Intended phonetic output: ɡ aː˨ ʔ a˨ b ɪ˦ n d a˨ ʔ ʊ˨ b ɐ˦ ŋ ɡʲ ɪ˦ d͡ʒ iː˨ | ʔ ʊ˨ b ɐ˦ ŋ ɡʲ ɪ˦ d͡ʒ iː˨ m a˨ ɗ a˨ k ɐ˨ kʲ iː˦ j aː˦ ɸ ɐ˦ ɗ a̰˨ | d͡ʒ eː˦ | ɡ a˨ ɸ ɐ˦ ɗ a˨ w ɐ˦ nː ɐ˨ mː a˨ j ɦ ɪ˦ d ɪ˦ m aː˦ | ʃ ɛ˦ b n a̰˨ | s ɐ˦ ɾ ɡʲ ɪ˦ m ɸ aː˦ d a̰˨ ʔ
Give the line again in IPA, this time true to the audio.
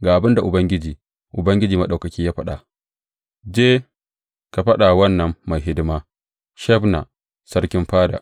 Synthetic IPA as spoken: ɡ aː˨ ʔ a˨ b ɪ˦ n d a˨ ʔ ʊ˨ b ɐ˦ ŋ ɡʲ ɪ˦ d͡ʒ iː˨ | ʔ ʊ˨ b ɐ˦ ŋ ɡʲ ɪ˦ d͡ʒ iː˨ m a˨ ɗ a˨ k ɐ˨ kʲ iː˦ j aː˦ ɸ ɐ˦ ɗ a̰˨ | d͡ʒ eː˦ | k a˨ ɸ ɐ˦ ɗ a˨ w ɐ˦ nː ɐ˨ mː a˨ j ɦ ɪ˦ d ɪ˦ m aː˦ | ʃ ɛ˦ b n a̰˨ | s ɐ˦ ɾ kʲ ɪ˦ m ɸ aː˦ d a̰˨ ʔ